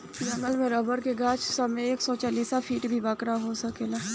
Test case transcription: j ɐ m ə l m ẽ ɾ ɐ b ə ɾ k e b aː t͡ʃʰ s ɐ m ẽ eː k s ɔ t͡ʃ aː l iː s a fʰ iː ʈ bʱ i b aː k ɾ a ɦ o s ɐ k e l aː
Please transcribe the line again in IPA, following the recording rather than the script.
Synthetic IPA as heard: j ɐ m ə l m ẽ ɾ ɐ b ə ɾ k e ɡ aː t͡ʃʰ s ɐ m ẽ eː k s ɔ t͡ʃ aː l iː s a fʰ iː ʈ bʱ i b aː k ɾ a ɦ o s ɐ k e l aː

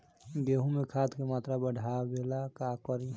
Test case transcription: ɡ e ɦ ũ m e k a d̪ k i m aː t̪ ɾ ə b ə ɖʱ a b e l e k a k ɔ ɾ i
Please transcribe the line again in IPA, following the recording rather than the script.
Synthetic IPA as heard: ɡ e ɦ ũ m e kʰ a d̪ k e m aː t̪ ɾ a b ə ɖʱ a b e l a k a k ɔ ɾ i

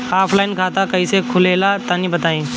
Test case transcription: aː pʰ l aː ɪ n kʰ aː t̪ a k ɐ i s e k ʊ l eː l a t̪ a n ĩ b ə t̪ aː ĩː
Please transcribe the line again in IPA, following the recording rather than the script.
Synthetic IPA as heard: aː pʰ l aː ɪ n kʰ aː t̪ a k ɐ i s e kʰ ʊ l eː l a t̪ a n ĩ b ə t̪ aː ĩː

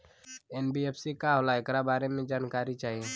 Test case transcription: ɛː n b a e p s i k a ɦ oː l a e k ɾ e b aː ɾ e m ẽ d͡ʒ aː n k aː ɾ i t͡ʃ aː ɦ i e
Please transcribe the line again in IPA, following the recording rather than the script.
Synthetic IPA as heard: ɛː n b i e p s i k a ɦ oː l a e k ɾ a b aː ɾ e m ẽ d͡ʒ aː n k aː ɾ i t͡ʃ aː ɦ i e

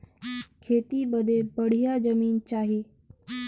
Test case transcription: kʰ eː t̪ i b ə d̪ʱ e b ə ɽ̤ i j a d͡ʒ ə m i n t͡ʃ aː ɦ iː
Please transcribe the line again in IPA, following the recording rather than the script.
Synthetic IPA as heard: kʰ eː t̪ i b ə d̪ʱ e b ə ɽ̤ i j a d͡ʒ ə m iː n t͡ʃ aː ɦ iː

